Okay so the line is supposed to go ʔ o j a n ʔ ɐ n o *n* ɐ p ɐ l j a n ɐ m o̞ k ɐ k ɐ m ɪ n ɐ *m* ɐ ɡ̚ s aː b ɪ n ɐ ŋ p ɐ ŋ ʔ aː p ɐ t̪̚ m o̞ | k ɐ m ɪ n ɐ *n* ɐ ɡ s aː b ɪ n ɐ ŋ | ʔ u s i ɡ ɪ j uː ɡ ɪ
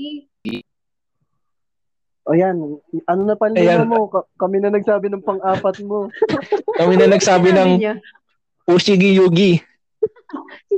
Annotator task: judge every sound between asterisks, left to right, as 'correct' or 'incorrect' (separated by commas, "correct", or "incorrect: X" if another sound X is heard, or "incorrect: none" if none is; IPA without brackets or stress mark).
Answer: correct, incorrect: n, correct